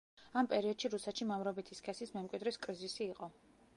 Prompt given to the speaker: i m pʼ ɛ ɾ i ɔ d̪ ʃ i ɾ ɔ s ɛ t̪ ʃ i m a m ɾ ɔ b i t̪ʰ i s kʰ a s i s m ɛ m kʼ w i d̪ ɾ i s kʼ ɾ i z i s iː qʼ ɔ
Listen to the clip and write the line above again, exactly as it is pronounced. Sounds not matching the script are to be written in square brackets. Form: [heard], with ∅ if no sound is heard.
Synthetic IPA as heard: [a] m pʼ ɛ ɾ i ɔ d̪ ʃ i ɾ [u] s ɛ t̪ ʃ i m a m ɾ ɔ b i t̪ʰ i s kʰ [ɛ] s i s m ɛ m kʼ w i d̪ ɾ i s kʼ ɾ i z i s iː qʼ ɔ